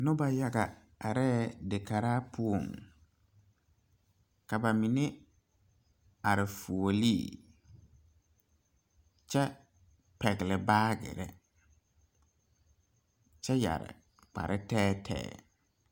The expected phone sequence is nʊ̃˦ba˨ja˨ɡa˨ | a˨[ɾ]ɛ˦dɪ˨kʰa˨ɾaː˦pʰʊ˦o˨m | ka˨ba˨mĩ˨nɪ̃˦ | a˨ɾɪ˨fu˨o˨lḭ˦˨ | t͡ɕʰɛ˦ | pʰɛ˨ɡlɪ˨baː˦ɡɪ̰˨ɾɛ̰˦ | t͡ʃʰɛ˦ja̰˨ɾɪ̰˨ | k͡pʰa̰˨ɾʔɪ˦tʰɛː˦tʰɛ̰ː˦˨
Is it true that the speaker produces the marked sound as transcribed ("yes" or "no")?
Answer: yes